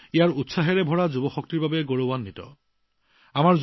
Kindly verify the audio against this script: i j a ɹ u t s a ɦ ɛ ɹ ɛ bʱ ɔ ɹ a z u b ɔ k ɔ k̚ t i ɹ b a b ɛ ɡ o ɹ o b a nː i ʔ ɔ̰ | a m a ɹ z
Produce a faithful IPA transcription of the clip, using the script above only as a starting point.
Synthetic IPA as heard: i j a ɹ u t s a ɦ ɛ ɹ ɛ bʱ ɔ ɹ a z u b ɔ x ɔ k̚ t i ɹ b a b ɛ ɡ o ɹ o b a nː i t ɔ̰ | a m a ɹ z

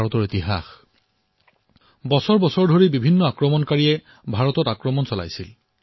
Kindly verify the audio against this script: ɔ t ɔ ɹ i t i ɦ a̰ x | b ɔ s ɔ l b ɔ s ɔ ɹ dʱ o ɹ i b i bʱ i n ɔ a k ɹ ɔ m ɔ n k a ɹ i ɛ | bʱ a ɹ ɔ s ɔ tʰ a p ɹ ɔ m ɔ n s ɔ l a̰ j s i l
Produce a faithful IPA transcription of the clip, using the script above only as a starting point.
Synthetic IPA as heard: ɔ t ɔ ɹ i t i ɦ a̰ x | b ɔ s ɔ ɹ b ɔ s ɔ ɹ dʱ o ɹ i b i bʱ i nː ɔ a k ɹ ɔ m ɔ n k a ɹ i ɛ | bʱ a ɹ ɔ t ɔ t a k ɹ ɔ m ɔ n s ɔ l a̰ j s i l

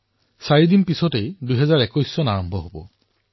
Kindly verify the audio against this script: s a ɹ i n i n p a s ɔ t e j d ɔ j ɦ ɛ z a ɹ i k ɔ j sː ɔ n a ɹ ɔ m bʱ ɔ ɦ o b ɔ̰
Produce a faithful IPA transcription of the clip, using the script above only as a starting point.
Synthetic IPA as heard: s a ɹ i d i n p i s ɔ t e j d u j ɦ ɛ z a ɹ ɛ k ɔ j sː ɔ n a ɹ ɔ m bʱ ɔ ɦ o b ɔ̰

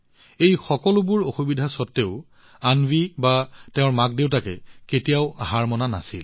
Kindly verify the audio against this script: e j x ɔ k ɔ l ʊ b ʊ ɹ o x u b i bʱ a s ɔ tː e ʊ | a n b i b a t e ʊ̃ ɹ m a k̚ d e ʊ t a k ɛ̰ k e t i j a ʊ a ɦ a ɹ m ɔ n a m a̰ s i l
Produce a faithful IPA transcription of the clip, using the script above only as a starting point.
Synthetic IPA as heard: e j x ɔ k ɔ l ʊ b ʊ ɹ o x u b i dʱ a s ɔ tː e ʊ | a n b i b a t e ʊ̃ ɹ m a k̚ d e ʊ t a k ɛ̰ k e t i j a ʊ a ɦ a ɹ m ɔ n a n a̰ s i l

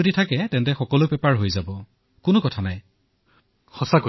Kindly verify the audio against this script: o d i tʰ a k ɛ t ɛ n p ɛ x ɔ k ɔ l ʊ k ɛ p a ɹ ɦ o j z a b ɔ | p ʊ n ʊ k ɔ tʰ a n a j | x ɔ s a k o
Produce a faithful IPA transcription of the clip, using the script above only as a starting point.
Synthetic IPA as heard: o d i tʰ a k ɛ t ɛ n t ɛ x ɔ k ɔ l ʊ p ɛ p a ɹ ɦ o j z a b ɔ | k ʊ n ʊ k ɔ tʰ a n a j | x ɔ s a k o

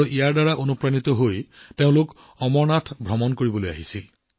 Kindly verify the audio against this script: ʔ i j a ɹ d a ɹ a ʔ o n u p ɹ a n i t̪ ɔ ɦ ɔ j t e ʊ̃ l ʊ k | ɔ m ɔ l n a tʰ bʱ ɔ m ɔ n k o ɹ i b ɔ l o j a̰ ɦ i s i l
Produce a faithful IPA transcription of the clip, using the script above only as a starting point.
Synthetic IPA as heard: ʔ i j a ɹ d a ɹ a ʔ o n u p ɹ a n i t̪ ɔ ɦ o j t e ʊ̃ l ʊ k | ɔ m ɔ ɹ n a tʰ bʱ ɔ m ɔ n k o ɹ i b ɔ l o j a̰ ɦ i s i l

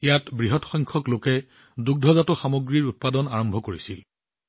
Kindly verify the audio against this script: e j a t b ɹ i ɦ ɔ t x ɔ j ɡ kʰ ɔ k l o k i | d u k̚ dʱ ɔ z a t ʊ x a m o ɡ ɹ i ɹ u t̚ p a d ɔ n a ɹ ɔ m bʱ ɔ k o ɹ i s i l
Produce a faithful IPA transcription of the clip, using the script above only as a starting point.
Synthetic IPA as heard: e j a t b ɹ i ɦ ɔ t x ɔ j ŋ kʰ ɔ k l o k ɛ | d u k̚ dʱ ɔ z a t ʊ x a m o ɡ ɹ i ɹ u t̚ p a d ɔ n a ɹ ɔ m bʱ ɔ k o ɹ i s i l

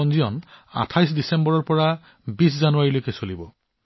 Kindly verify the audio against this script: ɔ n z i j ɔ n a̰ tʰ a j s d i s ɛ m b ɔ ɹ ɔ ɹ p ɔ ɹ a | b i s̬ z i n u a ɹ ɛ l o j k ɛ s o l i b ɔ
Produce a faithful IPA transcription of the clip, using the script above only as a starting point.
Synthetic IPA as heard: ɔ n z i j ɔ n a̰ tʰ a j s d i s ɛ m b ɔ ɹ ɔ ɹ p ɔ ɹ a | b i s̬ z a n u a ɹ i l o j k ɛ s o l i b ɔ

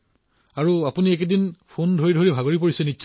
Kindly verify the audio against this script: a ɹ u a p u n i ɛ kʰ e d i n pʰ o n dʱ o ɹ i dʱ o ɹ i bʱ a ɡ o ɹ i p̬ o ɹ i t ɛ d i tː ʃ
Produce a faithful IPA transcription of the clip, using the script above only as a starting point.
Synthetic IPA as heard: a ɹ u a p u n i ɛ k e d i n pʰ o n dʱ o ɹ i dʱ o ɹ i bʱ a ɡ o ɹ i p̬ o ɹ i s ɛ n i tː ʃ

